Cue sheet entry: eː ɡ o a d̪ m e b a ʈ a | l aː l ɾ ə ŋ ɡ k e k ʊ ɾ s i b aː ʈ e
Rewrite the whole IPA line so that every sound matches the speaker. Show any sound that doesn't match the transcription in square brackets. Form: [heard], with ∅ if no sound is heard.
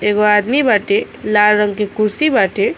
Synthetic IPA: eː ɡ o a d̪ m [i] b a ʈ [e] | l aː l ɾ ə ŋ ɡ k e k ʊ ɾ s i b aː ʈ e